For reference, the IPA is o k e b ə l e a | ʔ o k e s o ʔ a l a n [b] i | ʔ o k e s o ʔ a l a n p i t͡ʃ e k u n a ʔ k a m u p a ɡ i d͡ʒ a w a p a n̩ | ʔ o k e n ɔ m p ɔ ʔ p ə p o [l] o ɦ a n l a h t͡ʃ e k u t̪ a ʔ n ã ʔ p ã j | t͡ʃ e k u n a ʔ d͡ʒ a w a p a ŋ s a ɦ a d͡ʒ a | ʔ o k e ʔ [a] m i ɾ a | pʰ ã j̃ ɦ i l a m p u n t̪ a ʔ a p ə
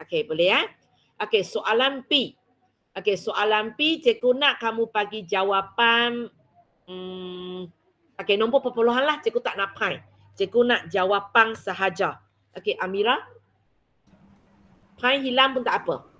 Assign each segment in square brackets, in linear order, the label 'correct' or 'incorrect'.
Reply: incorrect: p, correct, correct

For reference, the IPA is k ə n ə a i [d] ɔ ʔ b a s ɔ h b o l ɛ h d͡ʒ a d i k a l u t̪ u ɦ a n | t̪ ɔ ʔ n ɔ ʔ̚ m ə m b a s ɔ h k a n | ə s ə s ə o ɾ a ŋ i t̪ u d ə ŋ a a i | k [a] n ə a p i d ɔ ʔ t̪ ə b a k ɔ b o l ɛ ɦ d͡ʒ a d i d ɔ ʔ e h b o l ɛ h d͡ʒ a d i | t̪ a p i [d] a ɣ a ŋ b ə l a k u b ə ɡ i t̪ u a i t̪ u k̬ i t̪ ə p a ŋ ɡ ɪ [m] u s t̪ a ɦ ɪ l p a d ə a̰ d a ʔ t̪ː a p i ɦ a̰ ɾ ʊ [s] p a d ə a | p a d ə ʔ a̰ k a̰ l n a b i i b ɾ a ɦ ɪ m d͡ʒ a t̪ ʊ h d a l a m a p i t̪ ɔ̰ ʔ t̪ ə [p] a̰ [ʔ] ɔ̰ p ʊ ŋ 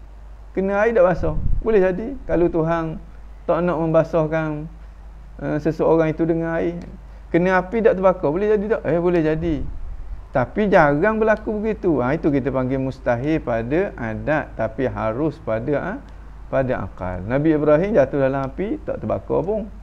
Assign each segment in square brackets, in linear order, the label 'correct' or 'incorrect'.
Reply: correct, incorrect: ə, incorrect: d͡ʒ, correct, correct, incorrect: b, incorrect: k

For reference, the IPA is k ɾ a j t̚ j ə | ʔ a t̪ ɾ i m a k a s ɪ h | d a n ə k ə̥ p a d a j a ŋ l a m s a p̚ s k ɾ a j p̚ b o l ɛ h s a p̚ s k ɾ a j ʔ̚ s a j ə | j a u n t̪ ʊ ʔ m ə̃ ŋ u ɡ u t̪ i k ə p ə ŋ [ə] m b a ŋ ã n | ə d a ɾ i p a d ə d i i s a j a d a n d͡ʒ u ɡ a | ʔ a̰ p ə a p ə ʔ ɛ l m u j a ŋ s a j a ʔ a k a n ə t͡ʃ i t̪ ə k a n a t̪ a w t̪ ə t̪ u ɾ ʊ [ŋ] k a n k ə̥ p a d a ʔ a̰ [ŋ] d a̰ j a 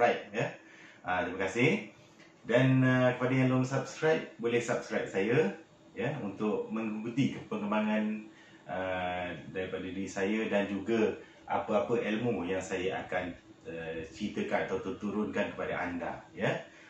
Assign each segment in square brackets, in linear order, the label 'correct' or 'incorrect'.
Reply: correct, incorrect: n, incorrect: n

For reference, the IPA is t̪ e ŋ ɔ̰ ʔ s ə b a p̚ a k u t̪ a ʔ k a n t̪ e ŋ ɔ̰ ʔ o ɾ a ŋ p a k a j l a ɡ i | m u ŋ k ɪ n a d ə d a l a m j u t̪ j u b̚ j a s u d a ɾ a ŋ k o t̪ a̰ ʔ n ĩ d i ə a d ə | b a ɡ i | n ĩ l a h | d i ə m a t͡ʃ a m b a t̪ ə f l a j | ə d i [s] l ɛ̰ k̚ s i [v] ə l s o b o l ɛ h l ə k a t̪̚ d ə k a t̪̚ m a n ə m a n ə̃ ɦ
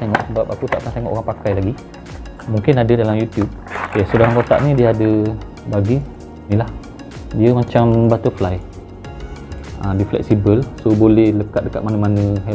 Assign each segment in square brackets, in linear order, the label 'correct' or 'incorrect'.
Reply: incorrect: f, incorrect: b

